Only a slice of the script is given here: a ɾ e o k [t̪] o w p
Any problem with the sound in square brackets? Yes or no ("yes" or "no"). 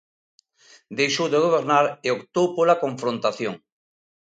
no